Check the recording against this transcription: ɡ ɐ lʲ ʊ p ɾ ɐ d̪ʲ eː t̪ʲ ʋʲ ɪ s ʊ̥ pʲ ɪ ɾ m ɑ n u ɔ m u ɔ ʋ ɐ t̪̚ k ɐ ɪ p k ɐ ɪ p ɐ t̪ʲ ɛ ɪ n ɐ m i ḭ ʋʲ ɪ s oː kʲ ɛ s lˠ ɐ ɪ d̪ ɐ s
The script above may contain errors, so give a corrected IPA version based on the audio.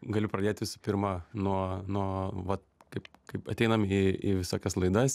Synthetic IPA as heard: ɡ ɐ lʲ ʊ p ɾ ɐ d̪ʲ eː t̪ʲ ʋʲ ɪ s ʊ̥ pʲ ɪ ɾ m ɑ n u ɔ n u ɔ ʋ ɐ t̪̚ k ɐ ɪ p k ɐ ɪ p ɐ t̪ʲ ɛ ɪ n ɐ m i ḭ ʋʲ ɪ s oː kʲ ɛ s lˠ ɐ ɪ d̪ ɐ s